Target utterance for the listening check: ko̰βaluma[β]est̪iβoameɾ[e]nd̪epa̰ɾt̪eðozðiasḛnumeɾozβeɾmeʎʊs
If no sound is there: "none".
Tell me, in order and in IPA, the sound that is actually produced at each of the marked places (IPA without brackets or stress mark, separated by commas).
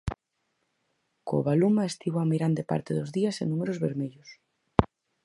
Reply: none, a